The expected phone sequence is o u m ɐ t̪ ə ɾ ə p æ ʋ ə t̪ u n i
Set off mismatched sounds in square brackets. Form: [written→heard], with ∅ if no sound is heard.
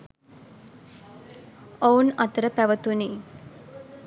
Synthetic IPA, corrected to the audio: o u [m→n] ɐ t̪ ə ɾ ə p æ ʋ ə t̪ u n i